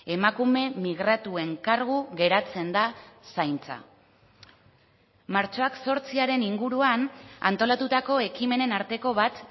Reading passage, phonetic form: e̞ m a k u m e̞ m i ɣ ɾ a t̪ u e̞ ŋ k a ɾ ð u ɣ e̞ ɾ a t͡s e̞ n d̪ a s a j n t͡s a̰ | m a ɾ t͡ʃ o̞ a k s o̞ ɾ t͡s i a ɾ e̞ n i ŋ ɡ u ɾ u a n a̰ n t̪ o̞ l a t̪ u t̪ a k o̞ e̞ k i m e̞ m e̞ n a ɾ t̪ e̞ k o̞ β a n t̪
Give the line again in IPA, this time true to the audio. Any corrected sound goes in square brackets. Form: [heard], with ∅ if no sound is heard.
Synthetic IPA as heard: e̞ m a k u m e̞ m i ɣ ɾ a t̪ u e̞ ŋ k a ɾ [ɣ] u ɣ e̞ ɾ a t͡s e̞ n d̪ a s a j n t͡s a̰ | m a ɾ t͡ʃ o̞ a k s o̞ ɾ t͡s i a ɾ e̞ n i ŋ ɡ u ɾ u a n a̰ n t̪ o̞ l a t̪ u t̪ a k o̞ e̞ k i m e̞ [n] e̞ n a ɾ t̪ e̞ k o̞ β a [∅] t̪